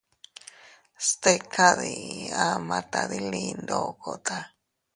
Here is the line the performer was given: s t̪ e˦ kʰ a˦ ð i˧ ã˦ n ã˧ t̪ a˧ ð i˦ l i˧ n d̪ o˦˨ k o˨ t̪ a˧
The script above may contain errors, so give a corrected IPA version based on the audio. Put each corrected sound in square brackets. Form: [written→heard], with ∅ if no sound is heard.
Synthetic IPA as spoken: s t̪ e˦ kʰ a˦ ð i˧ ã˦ [n→m] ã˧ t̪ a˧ ð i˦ l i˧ n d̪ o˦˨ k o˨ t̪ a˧